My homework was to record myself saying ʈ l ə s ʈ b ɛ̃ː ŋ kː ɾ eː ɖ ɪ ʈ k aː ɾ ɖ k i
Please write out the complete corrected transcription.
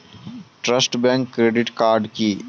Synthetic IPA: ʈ ɾ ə s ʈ b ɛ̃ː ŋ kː ɾ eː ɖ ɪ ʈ k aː ɾ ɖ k i